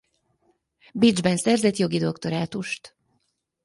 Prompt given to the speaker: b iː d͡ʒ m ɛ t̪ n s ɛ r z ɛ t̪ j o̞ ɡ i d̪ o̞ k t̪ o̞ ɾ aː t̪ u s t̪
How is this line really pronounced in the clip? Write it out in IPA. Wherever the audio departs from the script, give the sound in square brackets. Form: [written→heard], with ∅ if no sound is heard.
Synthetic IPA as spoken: b [iː→i] d͡ʒ [m→b] ɛ [t̪→∅] n s ɛ r z ɛ t̪ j o̞ ɡ i d̪ o̞ k t̪ o̞ ɾ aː t̪ u [s→ʃ] t̪